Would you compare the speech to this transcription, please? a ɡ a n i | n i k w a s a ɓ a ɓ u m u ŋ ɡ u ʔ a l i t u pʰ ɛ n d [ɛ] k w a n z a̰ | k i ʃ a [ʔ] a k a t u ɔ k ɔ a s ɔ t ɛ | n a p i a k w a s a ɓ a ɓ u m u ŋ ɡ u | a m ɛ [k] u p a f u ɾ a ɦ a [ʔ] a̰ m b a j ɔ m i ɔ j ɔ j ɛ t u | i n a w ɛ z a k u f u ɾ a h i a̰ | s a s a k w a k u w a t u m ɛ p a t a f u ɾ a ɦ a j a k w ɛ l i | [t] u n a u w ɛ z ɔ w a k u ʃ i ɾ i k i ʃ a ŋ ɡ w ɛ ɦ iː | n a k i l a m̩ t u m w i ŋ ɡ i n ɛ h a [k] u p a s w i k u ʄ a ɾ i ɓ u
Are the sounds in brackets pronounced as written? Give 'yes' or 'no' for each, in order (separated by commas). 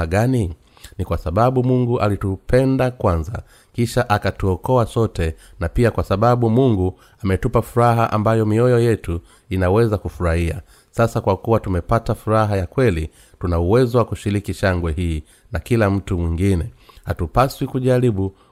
no, yes, no, yes, yes, no